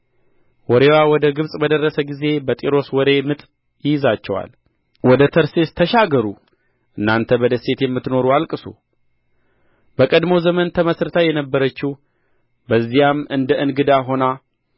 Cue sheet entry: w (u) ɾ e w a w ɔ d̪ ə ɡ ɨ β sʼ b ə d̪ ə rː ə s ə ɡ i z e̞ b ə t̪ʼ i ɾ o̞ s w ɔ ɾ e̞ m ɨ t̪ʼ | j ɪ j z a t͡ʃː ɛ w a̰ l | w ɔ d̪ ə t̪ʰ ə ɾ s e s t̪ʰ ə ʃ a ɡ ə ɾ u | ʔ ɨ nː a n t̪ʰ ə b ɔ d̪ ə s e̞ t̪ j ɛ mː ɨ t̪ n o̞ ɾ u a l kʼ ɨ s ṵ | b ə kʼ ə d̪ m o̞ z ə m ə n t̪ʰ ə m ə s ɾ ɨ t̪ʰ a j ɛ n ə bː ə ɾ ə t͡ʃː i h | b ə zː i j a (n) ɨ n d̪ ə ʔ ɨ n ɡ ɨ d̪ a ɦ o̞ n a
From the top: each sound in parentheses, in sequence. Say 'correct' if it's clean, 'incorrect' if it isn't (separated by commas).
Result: incorrect, incorrect